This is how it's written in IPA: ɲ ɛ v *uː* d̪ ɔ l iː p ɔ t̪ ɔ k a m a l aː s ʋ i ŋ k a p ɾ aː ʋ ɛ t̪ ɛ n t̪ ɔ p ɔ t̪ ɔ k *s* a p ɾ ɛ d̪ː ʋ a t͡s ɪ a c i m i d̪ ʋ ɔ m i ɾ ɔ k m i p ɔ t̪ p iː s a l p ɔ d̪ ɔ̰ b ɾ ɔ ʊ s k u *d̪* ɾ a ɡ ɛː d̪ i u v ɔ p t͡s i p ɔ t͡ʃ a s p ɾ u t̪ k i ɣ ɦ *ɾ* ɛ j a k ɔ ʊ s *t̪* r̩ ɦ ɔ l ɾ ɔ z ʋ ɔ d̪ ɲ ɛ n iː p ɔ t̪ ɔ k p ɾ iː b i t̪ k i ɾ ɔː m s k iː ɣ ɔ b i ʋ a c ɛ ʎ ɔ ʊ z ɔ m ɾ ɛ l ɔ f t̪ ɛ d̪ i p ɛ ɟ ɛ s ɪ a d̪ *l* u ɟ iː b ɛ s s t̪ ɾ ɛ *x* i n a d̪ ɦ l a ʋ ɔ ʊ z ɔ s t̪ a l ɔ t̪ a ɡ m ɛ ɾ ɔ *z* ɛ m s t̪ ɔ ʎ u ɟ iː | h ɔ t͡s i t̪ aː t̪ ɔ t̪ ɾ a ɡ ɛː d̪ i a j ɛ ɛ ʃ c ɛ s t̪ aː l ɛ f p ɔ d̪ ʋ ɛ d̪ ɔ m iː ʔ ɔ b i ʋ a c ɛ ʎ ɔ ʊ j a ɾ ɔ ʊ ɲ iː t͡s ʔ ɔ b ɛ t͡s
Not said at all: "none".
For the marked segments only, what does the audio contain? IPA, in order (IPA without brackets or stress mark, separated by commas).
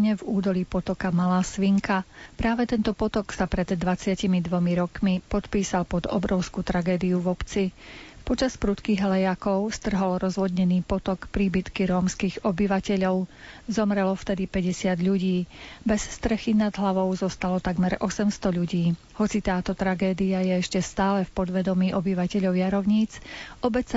uː, s, t̪, l, t̪, ʎ, x, s